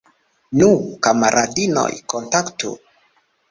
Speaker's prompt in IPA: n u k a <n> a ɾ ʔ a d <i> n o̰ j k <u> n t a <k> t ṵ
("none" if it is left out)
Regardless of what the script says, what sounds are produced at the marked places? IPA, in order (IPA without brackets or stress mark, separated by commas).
m, i, o, k